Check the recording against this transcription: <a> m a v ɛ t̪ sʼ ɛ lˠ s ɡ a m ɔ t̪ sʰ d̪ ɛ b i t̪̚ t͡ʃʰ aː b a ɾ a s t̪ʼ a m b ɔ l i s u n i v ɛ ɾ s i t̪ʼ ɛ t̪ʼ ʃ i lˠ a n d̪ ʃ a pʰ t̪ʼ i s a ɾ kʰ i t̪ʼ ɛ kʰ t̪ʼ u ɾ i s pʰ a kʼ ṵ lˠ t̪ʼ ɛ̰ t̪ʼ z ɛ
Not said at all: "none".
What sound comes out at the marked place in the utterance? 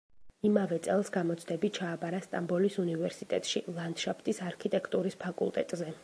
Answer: i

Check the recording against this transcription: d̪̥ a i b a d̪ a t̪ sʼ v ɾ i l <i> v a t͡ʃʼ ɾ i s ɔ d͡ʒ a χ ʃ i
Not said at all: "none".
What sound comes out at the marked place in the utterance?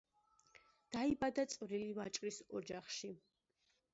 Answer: i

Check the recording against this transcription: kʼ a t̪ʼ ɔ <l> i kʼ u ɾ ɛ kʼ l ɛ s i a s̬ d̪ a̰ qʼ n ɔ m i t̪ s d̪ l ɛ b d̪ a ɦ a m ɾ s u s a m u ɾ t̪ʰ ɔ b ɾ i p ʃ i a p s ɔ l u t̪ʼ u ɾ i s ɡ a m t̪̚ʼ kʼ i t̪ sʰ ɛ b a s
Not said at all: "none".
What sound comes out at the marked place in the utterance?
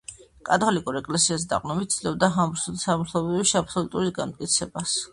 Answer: l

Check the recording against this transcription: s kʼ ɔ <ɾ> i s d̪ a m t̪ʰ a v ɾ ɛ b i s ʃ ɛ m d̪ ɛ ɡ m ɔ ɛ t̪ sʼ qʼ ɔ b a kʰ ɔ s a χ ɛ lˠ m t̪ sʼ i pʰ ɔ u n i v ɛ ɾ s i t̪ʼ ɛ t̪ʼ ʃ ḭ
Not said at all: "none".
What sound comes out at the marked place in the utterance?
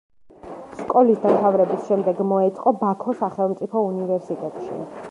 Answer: l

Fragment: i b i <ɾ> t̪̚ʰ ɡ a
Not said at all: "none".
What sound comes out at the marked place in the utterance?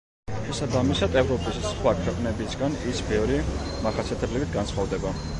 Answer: none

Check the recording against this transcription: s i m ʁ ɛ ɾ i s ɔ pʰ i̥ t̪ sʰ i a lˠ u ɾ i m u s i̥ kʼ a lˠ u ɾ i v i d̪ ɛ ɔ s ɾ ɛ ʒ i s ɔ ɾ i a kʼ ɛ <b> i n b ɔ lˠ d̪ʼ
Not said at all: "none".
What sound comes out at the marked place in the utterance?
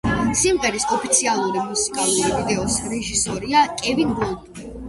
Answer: v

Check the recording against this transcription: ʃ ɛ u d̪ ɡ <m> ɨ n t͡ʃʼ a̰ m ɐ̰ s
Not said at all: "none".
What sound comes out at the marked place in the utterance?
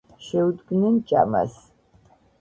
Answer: n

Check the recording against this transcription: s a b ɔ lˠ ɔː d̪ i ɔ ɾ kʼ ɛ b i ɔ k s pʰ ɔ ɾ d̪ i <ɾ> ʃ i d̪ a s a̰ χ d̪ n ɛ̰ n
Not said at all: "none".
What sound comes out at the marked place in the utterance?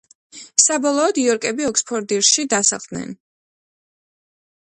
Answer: ɾ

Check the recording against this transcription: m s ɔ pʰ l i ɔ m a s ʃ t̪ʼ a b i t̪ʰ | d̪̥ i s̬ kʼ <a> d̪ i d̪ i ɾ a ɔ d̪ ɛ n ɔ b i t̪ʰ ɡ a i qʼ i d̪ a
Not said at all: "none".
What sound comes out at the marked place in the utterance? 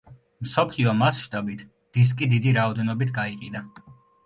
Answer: i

